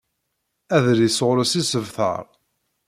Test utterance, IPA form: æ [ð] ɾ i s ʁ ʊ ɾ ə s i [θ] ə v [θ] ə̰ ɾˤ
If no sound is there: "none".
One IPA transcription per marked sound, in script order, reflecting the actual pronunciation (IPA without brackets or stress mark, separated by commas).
ð, s, θ